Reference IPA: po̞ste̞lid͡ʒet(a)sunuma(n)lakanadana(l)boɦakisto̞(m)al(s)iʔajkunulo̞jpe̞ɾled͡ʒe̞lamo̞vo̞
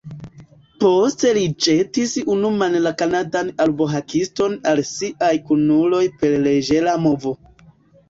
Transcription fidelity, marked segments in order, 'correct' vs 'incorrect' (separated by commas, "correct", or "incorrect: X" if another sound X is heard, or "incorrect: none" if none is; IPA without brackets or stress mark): incorrect: i, correct, correct, incorrect: n, correct